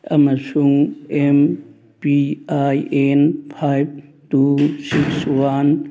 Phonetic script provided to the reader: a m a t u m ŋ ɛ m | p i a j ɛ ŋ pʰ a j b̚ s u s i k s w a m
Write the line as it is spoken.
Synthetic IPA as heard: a m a s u ŋ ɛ m | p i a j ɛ n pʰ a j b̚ t u s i k s w a n